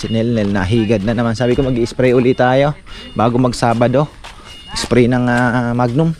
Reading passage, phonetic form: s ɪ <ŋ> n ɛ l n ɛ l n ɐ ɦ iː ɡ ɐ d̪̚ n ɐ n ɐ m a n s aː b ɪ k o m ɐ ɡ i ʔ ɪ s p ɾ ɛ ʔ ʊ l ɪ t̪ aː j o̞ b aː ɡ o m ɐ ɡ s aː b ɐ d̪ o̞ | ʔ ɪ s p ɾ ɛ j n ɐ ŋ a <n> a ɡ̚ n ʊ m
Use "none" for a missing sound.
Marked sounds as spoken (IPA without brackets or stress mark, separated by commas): none, m